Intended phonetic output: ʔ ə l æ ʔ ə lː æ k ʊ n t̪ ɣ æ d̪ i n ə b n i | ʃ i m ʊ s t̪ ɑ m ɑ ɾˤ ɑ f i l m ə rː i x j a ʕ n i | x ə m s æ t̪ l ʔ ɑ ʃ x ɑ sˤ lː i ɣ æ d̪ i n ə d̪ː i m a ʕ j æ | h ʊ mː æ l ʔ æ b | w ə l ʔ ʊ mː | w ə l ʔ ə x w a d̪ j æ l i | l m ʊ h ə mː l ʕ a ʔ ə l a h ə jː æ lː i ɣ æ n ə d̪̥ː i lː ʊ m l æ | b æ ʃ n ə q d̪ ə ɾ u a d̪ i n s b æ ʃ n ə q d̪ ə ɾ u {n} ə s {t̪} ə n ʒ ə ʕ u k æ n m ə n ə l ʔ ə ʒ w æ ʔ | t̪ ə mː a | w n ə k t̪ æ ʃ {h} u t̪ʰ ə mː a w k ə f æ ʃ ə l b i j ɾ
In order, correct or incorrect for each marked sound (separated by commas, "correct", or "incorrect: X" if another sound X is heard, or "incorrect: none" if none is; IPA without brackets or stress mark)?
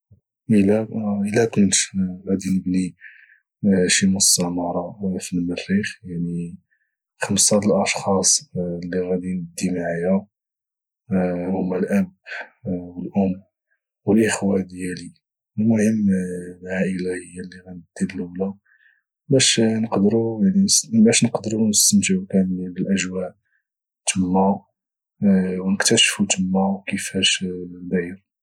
correct, correct, incorrect: f